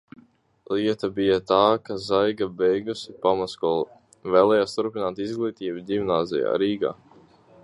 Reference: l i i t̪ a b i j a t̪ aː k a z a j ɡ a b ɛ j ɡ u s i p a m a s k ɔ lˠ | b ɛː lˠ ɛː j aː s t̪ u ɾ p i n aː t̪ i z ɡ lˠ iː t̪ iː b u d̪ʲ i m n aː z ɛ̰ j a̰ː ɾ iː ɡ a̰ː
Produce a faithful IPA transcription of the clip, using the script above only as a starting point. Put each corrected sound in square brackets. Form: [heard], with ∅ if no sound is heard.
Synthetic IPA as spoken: l i [ɛ] t̪ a b i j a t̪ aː k a z a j ɡ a b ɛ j ɡ u s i p a m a s k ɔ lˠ | [v] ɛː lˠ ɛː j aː s t̪ u ɾ p i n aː t̪ i z ɡ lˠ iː t̪ iː b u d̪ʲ i m n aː z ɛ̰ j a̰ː ɾ iː ɡ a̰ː